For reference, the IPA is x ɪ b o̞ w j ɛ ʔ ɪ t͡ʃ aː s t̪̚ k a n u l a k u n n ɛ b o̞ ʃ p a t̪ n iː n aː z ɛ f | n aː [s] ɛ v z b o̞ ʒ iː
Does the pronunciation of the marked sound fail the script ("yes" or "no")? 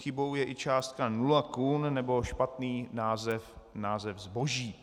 yes